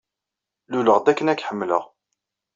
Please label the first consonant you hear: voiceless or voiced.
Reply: voiced